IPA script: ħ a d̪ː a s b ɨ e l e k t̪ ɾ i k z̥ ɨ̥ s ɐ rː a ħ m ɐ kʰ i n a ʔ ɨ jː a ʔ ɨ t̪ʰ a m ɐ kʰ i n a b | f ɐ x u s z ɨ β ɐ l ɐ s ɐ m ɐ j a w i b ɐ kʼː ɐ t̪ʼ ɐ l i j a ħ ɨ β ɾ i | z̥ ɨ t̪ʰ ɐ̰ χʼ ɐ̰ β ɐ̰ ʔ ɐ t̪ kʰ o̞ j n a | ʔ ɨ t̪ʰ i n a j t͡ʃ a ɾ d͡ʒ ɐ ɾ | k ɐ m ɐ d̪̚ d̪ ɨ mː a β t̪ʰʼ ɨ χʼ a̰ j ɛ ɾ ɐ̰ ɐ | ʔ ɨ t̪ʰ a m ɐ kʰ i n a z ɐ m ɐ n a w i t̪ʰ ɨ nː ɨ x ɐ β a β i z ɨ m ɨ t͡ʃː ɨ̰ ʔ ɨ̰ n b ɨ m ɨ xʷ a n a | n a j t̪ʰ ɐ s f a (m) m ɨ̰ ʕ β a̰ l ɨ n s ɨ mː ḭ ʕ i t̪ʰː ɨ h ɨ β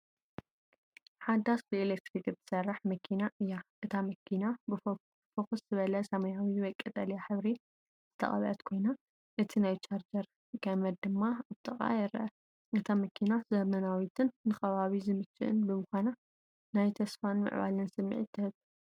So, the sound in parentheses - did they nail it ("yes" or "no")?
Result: no